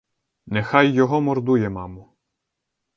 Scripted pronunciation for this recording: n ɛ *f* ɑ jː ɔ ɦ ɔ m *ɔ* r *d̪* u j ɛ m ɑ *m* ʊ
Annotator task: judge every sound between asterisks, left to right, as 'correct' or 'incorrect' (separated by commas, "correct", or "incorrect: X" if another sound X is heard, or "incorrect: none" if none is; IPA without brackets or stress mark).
incorrect: x, correct, correct, correct